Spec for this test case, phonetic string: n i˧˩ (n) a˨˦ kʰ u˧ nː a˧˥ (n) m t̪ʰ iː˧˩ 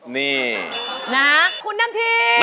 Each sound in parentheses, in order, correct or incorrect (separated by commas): correct, incorrect